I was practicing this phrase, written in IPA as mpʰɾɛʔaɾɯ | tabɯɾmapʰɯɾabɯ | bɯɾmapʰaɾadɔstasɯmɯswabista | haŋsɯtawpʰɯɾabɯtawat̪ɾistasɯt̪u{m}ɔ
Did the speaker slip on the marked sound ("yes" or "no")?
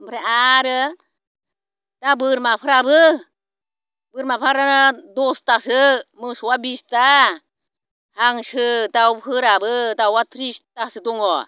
yes